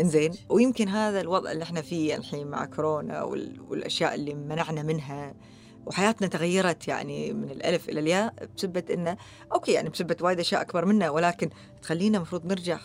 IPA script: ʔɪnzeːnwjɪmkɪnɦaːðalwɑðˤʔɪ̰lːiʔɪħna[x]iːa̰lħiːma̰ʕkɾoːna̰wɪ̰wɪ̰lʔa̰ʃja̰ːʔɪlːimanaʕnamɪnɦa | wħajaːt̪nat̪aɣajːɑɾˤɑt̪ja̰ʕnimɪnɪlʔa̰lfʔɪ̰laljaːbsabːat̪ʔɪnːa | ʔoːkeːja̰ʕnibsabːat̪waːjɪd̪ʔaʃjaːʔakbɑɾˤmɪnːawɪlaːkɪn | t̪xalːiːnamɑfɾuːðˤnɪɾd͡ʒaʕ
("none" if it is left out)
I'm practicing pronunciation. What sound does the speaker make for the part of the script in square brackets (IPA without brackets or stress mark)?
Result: f